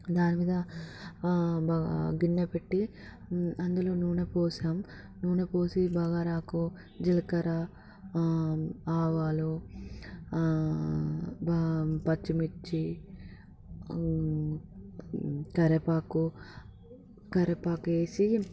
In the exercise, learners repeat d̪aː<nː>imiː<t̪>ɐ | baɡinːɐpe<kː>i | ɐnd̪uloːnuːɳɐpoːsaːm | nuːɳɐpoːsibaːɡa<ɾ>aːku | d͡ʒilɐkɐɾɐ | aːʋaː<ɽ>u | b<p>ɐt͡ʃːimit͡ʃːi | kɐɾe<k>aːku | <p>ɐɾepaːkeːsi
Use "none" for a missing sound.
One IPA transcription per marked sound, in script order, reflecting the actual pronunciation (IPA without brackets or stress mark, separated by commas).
n, d̪, ʈː, ɾ, l, p, p, k